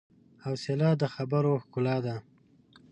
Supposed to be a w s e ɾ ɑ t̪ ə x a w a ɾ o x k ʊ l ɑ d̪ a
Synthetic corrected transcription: a w s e l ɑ d̪ ə x a b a ɾ o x k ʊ l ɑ d̪ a